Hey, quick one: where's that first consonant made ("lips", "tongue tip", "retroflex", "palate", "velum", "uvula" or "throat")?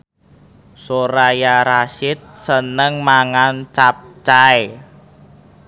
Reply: tongue tip